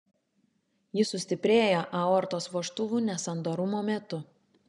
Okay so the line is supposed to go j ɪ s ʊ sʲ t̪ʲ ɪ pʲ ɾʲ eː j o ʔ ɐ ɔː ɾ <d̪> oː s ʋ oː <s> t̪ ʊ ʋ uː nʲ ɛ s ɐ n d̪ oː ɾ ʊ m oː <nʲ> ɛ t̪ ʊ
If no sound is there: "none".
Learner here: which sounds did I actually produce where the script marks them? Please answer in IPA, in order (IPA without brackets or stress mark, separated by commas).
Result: t̪, ʃ, mʲ